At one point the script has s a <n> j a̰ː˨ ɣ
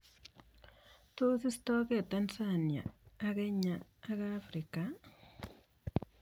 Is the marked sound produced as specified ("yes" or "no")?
yes